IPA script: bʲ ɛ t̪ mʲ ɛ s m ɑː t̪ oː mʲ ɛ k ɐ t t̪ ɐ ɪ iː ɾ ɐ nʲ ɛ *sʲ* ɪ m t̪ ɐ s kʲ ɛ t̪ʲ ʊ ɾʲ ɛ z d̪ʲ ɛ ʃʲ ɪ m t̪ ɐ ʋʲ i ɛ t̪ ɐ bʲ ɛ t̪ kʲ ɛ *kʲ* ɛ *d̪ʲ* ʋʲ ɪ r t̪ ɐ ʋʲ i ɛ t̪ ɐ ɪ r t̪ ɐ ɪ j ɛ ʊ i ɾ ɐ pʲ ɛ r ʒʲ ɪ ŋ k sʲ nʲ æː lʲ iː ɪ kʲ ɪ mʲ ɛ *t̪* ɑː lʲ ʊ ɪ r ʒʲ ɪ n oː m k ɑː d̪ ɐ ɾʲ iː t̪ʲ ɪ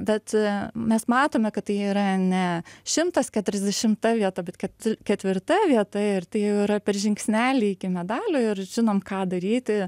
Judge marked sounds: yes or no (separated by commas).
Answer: no, yes, no, no